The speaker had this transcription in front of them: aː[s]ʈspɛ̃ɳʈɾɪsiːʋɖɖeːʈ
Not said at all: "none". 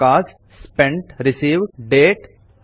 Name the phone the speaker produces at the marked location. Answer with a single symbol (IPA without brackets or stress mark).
s